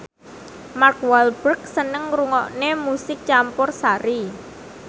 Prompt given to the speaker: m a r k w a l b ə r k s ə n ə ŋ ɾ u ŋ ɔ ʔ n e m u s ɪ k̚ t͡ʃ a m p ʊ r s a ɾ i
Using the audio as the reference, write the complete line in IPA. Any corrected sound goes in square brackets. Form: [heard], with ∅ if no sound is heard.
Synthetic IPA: m a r k w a l b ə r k s ə n ə ŋ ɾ u ŋ ɔ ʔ n e m u s ɪ k̚ t͡ʃ a m p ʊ r s a ɾ i